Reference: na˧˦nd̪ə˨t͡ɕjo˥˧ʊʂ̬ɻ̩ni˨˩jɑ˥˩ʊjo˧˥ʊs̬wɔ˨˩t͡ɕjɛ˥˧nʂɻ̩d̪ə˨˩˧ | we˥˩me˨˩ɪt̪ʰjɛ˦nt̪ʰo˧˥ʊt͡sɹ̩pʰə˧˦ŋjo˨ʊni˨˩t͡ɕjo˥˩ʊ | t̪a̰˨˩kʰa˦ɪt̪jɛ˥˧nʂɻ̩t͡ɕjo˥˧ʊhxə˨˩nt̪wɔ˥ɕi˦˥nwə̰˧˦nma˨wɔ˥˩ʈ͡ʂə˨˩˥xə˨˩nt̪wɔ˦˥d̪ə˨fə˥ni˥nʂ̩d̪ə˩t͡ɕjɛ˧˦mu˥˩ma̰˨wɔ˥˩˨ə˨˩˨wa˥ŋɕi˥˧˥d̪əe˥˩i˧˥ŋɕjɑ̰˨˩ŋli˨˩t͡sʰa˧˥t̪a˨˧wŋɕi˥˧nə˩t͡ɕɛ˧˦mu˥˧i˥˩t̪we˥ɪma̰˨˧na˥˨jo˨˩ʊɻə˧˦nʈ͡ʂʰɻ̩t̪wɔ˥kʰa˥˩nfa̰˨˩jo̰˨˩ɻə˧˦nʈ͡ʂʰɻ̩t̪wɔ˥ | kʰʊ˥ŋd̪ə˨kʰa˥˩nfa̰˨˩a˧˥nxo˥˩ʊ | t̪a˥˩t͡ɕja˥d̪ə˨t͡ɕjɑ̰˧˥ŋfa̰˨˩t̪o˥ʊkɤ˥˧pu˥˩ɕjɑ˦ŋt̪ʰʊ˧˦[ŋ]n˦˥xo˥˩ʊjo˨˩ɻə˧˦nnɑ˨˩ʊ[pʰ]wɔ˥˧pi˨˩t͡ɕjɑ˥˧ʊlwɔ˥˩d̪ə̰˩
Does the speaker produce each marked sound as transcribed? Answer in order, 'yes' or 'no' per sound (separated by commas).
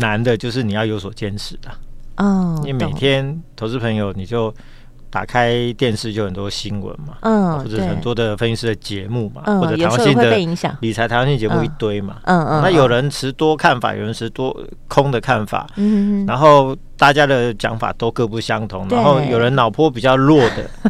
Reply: yes, yes